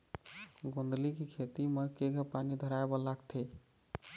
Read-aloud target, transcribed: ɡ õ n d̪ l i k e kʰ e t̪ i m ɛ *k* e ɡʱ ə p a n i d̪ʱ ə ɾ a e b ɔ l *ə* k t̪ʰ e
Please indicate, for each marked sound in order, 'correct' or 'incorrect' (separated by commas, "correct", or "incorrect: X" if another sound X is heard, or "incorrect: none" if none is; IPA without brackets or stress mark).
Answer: correct, incorrect: a